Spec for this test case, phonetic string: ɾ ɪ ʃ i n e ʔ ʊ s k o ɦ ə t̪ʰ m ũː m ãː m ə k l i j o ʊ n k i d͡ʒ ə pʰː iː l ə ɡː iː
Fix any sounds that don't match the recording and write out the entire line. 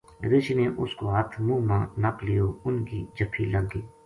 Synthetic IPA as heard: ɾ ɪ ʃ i n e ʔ ʊ s k o ɦ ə t̪ʰ m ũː m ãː n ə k l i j o ʊ n k i d͡ʒ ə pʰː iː l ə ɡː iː